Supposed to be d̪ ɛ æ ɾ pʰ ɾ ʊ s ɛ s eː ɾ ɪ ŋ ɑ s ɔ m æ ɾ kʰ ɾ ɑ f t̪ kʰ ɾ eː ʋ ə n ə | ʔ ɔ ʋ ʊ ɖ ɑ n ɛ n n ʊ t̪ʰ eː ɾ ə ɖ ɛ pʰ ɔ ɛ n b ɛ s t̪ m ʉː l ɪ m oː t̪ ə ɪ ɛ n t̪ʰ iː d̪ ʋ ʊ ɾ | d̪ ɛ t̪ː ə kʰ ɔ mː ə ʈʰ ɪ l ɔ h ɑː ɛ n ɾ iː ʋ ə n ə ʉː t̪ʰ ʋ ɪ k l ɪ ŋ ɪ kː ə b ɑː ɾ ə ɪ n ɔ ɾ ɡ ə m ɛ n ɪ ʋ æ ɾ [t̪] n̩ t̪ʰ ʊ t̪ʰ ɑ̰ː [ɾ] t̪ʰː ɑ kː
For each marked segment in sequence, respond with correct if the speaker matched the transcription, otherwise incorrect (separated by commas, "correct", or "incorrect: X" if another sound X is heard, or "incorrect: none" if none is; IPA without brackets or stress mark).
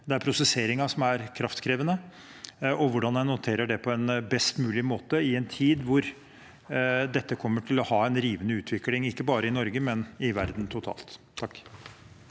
incorrect: d̪, incorrect: l